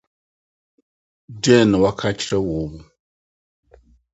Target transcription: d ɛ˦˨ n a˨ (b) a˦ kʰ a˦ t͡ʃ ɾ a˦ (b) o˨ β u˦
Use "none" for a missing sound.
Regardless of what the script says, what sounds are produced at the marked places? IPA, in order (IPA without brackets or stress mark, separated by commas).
w, w